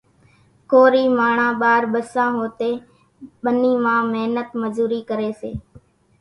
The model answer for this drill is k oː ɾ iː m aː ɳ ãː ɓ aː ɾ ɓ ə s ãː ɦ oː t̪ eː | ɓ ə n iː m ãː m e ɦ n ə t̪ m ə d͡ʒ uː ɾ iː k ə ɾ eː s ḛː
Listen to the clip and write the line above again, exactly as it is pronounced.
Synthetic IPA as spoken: k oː ɾ iː m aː ɳ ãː ɓ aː ɾ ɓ ə s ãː ɦ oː t̪ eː | ɓ ə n iː m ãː m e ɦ n ə t̪ m ə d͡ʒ uː ɾ iː k ə ɾ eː s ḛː